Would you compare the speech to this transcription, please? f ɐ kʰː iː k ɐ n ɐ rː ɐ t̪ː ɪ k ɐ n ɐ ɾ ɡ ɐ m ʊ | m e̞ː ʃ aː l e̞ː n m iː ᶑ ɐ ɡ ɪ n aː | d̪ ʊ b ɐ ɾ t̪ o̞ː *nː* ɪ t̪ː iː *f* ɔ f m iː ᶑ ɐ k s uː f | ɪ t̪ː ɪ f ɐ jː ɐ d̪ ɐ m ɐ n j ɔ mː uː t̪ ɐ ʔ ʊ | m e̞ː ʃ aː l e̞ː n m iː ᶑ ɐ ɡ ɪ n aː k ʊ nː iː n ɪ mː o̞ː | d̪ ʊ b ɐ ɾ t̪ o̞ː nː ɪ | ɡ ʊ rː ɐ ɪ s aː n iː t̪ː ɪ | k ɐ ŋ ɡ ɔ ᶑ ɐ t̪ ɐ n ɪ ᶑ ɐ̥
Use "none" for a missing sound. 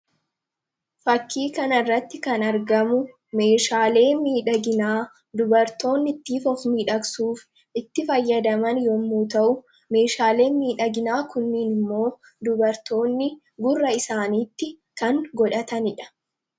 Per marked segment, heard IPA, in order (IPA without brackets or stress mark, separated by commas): nː, f